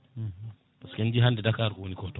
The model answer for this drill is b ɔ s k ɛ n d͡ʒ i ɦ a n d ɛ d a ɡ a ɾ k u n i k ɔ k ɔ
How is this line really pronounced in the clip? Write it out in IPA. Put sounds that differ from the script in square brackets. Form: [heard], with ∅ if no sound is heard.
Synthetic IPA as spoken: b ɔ s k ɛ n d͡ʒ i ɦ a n d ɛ d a [k] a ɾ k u n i k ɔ [t] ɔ